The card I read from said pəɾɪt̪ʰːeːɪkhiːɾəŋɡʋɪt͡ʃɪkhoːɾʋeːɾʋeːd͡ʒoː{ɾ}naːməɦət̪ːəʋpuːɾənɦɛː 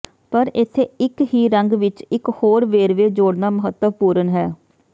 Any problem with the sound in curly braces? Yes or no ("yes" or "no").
yes